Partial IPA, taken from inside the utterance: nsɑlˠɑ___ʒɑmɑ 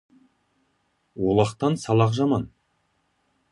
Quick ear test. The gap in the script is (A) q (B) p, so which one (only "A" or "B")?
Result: A